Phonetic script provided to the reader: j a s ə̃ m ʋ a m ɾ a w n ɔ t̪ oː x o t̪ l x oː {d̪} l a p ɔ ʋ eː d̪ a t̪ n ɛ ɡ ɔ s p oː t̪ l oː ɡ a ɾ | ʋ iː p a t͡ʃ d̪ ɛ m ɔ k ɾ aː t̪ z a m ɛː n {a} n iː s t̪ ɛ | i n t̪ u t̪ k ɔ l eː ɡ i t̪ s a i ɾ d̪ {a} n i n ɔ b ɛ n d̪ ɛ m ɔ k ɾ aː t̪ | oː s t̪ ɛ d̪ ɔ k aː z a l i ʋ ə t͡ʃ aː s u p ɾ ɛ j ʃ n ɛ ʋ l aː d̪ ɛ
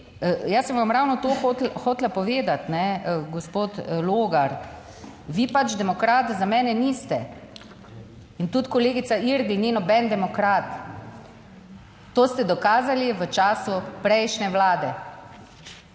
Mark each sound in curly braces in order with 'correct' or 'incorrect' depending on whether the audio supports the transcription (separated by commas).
incorrect, incorrect, incorrect